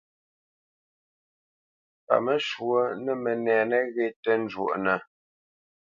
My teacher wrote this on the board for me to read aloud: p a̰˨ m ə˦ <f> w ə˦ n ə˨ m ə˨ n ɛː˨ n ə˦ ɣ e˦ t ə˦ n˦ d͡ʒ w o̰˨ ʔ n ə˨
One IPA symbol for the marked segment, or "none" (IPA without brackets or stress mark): ʃ